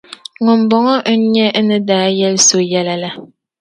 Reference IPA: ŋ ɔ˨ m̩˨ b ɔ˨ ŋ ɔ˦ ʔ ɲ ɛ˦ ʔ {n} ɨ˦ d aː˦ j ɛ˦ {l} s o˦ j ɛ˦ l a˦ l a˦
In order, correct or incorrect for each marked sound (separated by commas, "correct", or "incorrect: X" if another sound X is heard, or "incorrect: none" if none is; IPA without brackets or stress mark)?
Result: correct, correct